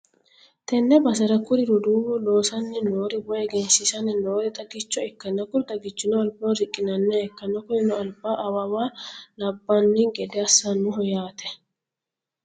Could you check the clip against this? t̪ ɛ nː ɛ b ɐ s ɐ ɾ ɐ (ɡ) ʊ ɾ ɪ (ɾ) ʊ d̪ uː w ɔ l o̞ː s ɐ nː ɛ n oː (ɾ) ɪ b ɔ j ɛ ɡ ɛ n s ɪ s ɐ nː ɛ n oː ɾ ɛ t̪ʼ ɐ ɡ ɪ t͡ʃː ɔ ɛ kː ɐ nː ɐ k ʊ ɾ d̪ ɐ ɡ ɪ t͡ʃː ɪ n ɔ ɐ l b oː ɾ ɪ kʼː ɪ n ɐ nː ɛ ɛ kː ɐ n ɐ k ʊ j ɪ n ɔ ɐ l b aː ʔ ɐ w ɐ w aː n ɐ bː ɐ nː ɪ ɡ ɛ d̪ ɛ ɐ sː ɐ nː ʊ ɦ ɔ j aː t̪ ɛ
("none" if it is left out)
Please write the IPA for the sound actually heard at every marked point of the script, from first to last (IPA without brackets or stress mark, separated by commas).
k, ɾ, ɾ